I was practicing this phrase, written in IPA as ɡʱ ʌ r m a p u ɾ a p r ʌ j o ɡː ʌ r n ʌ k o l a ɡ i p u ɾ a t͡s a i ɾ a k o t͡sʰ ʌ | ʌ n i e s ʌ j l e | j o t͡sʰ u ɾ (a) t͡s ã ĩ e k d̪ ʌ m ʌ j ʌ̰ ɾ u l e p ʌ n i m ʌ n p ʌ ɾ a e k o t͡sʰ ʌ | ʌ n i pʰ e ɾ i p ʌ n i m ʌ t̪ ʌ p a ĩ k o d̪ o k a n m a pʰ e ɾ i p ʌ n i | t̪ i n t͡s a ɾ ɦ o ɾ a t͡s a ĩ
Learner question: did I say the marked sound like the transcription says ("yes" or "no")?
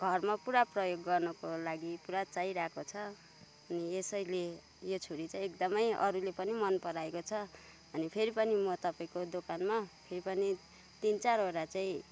no